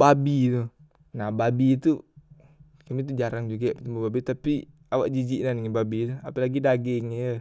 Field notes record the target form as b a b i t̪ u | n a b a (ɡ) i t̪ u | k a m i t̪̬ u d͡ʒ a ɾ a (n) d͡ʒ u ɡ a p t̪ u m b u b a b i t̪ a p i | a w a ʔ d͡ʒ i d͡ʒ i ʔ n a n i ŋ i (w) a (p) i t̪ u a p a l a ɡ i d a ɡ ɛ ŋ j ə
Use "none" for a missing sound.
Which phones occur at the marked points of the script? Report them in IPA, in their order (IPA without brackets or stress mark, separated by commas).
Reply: b, ŋ, b, b